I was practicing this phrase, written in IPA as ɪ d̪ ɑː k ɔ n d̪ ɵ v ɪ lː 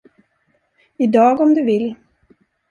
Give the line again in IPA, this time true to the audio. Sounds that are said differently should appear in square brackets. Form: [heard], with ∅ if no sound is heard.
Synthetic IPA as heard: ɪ d̪ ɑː [ɡ] ɔ [m] d̪ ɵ v ɪ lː